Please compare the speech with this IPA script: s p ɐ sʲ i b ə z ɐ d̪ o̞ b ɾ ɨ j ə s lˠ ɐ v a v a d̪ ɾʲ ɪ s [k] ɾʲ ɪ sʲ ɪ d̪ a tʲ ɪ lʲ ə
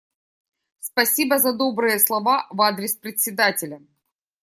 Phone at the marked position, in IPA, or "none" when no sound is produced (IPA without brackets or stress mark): p